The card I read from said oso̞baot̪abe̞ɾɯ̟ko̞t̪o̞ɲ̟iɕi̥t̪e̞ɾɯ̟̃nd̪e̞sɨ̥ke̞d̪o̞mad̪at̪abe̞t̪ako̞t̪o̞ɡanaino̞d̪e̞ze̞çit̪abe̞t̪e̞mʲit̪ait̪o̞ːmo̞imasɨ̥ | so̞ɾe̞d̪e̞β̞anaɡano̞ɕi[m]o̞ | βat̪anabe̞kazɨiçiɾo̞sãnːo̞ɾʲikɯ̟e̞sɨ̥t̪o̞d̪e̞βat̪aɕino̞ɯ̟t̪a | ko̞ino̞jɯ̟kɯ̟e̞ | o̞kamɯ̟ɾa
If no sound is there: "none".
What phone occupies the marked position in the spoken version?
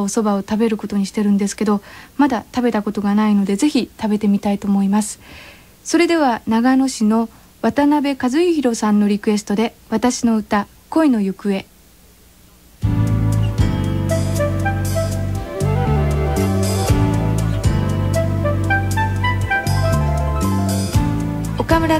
n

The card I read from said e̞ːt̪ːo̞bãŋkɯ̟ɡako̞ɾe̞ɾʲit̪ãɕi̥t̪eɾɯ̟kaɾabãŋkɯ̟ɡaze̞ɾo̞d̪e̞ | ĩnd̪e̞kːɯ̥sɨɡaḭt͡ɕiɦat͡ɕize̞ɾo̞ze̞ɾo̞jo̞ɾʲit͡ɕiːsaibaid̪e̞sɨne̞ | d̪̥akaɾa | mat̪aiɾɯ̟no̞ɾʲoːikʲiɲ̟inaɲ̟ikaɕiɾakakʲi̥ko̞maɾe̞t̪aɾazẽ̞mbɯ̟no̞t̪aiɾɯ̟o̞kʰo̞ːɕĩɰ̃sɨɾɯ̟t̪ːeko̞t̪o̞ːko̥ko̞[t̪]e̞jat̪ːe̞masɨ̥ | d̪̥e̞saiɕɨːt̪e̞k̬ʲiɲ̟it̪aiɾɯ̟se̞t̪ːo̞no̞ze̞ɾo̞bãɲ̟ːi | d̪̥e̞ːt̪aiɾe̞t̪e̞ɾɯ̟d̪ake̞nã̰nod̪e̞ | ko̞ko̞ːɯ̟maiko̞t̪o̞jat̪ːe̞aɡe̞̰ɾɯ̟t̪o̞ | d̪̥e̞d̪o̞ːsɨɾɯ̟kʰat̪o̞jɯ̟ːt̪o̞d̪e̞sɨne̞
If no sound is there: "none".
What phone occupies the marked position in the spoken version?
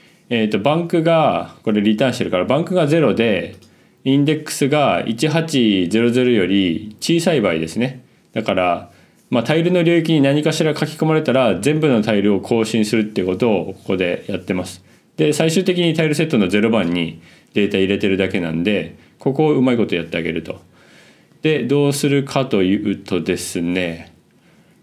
d̪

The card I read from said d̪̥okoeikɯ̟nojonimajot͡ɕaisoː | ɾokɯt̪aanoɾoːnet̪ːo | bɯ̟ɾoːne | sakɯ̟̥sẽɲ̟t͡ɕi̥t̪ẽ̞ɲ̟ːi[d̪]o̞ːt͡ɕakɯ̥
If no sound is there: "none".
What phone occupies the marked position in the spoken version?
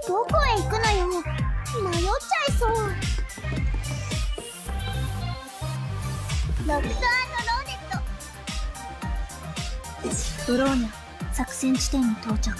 t̪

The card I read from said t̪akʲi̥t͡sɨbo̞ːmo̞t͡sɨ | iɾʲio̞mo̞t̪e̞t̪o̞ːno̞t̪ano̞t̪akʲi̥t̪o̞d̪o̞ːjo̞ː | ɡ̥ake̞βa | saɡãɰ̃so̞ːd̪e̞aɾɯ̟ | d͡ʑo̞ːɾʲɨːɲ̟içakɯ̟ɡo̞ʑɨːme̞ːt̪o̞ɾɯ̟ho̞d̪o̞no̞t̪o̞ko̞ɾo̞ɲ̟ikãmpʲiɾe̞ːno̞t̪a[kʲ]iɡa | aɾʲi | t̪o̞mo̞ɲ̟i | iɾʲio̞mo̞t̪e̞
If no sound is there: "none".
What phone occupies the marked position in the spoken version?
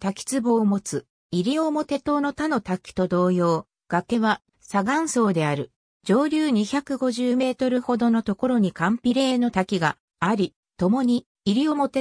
kʲ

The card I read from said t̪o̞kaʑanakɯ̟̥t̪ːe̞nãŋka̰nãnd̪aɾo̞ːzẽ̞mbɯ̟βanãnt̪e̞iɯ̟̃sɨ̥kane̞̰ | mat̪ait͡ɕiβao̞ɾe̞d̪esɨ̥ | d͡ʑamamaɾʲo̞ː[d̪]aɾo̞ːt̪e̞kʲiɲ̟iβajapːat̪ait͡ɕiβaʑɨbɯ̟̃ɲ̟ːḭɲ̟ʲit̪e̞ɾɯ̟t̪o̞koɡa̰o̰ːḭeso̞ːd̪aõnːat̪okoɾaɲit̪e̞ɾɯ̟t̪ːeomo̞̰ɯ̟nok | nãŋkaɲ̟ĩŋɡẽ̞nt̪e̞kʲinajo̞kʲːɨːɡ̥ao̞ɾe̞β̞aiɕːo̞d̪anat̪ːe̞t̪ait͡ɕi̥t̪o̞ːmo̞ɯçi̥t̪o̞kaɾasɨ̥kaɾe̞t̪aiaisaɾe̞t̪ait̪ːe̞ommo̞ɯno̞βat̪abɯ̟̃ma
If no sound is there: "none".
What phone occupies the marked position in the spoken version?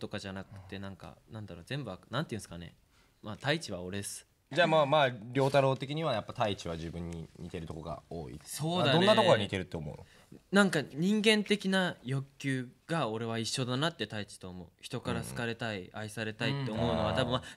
t̪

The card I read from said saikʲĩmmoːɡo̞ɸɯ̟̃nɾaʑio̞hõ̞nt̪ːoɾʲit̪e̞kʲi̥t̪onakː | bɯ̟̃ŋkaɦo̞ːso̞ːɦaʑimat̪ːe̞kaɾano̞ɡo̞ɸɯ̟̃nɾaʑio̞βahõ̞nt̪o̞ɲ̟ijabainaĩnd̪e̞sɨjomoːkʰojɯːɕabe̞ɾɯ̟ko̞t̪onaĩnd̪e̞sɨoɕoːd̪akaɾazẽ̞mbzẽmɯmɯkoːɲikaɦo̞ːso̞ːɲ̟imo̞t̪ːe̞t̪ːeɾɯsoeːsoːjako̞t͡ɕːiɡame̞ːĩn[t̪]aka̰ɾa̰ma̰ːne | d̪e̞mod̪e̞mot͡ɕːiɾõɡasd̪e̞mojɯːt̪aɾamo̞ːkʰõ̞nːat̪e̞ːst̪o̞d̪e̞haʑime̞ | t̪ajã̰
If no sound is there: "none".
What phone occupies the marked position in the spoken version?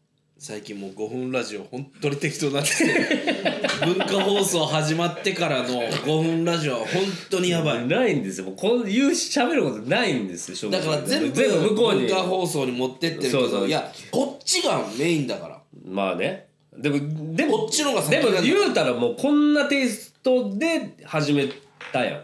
d̪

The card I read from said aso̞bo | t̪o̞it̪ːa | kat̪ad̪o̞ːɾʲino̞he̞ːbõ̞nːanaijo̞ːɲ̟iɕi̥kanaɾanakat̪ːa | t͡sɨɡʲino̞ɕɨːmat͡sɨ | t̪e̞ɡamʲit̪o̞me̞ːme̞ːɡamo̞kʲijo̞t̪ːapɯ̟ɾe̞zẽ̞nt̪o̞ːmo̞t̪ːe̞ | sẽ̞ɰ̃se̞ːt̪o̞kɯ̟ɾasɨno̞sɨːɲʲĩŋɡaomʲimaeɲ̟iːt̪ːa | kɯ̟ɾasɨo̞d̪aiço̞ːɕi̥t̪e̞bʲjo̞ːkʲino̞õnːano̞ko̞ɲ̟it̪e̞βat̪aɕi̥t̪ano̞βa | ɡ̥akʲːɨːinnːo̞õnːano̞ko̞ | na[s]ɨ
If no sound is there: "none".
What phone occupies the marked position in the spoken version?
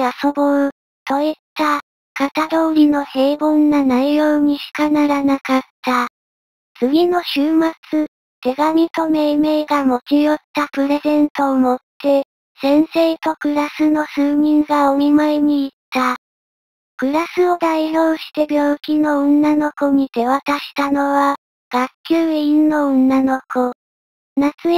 t͡s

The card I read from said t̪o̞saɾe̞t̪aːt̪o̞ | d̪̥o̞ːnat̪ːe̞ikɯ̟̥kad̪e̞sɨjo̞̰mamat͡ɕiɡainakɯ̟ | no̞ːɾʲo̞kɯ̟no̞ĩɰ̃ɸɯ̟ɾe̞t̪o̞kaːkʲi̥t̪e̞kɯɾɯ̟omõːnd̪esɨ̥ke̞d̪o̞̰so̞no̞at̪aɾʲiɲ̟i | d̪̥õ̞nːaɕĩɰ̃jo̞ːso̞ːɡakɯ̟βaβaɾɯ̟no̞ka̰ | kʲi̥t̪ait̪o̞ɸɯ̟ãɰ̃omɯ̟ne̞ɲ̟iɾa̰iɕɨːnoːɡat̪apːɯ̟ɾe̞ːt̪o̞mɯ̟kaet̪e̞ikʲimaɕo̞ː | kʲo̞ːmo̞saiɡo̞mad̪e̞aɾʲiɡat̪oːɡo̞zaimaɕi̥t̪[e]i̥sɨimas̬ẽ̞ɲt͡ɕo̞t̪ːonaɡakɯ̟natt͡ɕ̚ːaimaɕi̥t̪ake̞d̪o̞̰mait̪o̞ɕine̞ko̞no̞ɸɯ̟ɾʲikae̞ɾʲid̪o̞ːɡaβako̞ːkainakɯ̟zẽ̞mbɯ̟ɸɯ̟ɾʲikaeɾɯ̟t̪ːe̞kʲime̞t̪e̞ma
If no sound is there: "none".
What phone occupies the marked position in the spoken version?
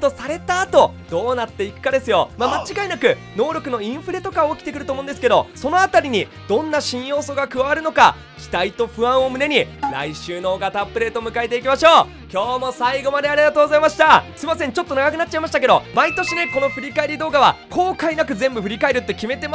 a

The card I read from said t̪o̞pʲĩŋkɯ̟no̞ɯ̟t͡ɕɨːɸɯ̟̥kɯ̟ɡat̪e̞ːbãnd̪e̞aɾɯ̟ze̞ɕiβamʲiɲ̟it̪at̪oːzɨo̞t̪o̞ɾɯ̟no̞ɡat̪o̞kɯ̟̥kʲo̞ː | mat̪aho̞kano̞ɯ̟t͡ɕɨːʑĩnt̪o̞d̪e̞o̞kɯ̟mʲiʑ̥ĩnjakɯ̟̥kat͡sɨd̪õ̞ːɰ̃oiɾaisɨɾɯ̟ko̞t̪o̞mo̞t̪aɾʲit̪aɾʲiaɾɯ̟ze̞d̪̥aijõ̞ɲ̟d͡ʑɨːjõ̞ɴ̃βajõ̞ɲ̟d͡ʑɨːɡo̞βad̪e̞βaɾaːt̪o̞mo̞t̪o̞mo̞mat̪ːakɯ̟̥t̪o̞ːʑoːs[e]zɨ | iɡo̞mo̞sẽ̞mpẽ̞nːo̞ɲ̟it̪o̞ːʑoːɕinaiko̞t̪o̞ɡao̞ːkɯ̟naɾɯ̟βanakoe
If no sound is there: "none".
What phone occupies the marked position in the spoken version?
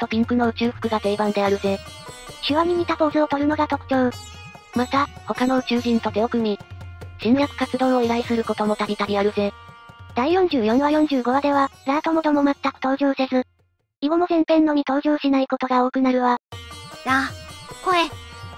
e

